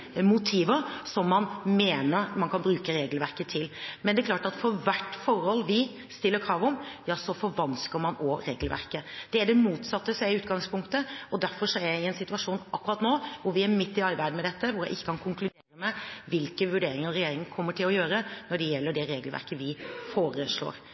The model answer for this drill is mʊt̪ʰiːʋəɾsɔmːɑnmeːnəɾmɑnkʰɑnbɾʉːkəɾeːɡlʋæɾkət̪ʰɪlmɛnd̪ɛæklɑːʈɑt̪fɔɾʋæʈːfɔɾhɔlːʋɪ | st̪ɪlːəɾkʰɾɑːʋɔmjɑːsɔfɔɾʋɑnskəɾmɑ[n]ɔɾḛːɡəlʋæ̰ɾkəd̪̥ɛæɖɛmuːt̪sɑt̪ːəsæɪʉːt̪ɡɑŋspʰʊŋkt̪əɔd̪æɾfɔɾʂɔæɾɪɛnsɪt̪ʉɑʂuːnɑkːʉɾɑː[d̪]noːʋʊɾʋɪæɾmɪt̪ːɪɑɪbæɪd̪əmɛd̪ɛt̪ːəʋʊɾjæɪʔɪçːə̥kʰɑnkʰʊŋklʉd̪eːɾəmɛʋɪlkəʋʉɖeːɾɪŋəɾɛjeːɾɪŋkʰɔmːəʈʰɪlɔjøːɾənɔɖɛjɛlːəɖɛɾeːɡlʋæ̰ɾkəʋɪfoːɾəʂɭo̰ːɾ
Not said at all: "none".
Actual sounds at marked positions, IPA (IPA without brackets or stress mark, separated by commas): n, t̪